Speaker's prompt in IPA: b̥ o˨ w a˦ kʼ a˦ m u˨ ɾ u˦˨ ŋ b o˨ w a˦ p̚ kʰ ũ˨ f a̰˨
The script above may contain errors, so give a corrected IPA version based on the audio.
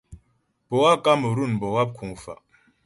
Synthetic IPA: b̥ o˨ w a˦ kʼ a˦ m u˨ ɾ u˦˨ n b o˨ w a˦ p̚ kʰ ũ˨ f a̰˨